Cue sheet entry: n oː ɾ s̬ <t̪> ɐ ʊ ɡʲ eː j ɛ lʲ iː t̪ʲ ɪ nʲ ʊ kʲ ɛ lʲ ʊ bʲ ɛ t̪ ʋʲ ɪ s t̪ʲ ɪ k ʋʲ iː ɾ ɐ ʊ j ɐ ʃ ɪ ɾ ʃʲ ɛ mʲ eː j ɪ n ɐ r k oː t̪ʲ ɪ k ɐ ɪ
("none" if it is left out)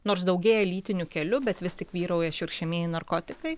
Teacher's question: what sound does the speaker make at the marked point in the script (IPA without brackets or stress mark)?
d̪